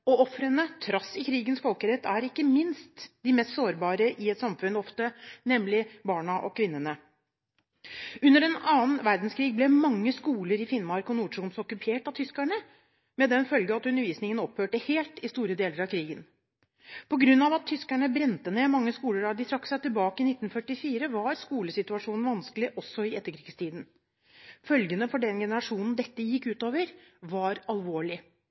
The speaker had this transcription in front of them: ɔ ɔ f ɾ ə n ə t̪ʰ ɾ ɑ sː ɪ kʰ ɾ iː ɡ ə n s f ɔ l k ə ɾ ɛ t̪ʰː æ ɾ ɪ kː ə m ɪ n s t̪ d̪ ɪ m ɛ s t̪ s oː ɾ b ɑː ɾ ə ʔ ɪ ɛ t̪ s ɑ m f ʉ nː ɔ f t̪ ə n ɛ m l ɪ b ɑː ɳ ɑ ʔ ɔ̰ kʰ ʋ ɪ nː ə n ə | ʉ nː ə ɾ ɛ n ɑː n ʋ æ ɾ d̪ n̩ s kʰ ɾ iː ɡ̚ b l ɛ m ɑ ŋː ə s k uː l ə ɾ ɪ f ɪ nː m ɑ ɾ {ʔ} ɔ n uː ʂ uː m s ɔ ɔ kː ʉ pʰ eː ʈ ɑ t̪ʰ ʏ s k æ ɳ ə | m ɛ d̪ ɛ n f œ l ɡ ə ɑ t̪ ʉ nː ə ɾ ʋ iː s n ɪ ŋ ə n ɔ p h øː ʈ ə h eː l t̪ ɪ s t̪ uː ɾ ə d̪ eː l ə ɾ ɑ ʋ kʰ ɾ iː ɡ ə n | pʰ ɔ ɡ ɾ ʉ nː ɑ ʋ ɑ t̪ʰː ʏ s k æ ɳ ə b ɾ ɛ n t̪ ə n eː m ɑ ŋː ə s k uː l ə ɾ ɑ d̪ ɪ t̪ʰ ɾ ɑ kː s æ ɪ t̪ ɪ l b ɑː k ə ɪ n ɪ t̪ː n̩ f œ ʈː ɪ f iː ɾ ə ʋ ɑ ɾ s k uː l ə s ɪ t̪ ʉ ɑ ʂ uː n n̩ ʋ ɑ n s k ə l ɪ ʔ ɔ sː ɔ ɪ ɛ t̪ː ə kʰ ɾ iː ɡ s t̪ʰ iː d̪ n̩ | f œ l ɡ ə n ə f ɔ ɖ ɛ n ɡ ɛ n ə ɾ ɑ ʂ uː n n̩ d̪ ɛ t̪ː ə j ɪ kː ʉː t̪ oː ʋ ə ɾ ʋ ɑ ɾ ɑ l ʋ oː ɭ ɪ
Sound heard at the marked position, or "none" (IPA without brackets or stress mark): k